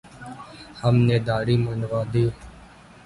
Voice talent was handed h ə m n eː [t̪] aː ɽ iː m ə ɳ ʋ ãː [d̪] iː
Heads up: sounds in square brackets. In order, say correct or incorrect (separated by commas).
incorrect, correct